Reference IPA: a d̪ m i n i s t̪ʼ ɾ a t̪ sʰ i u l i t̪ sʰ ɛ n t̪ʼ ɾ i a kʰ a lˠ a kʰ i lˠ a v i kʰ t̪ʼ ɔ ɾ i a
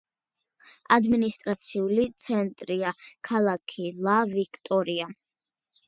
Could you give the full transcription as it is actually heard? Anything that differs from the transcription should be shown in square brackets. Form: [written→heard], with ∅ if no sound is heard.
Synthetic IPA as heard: a d̪ m i n i s t̪ʼ ɾ a t̪ sʰ i u l i t̪ sʰ ɛ n t̪ʼ ɾ i a kʰ a lˠ a kʰ i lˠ a v i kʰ t̪ʼ ɔ ɾ i a